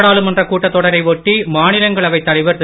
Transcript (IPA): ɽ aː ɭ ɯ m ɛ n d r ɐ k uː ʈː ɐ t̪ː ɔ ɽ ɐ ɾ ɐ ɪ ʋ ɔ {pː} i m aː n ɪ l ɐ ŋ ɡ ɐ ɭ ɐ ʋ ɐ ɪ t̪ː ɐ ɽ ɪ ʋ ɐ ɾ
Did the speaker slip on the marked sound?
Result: yes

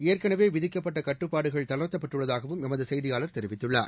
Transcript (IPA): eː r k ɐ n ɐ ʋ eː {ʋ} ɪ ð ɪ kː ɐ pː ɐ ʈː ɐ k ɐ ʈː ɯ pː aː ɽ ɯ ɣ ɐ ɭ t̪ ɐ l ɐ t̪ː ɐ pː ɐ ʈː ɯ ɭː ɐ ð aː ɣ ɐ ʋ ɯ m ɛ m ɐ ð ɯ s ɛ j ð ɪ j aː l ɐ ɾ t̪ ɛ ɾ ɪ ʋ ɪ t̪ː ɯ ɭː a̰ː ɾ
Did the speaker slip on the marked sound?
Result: no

